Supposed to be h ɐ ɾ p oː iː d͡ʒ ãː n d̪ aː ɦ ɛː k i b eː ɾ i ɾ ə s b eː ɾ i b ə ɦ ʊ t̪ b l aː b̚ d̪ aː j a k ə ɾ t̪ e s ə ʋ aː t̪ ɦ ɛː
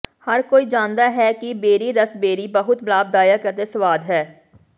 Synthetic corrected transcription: h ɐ ɾ k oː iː d͡ʒ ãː n d̪ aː ɦ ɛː k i b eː ɾ i ɾ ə s b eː ɾ i b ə ɦ ʊ t̪ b l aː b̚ d̪ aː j a k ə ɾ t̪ e s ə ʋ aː d̪ ɦ ɛː